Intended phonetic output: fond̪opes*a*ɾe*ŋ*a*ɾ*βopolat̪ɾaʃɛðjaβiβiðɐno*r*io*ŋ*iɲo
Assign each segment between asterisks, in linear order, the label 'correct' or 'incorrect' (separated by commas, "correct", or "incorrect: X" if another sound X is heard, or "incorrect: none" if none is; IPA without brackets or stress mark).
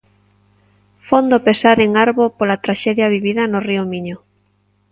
correct, correct, correct, correct, incorrect: m